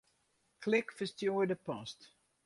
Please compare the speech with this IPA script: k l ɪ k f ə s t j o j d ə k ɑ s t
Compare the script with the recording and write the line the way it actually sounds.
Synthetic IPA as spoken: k l ɪ k f ə s t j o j d ə p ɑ s t